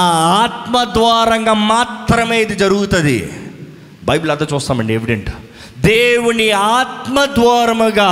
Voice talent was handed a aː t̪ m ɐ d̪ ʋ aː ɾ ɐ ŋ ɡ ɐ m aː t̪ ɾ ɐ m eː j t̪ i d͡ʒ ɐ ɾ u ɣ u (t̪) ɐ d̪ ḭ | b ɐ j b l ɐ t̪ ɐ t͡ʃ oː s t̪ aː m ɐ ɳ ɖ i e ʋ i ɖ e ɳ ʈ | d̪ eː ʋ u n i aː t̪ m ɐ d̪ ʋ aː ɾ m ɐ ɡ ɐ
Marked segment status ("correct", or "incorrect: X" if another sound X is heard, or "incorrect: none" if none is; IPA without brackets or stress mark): correct